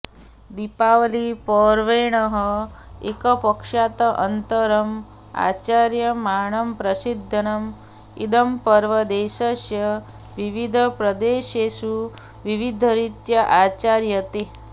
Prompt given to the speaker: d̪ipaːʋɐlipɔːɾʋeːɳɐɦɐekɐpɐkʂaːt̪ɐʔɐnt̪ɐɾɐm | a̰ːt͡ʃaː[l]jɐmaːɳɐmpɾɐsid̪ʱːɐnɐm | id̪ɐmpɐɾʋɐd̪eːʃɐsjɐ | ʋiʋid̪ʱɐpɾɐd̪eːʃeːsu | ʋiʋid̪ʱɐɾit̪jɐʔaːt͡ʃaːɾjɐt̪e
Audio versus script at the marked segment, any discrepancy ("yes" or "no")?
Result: yes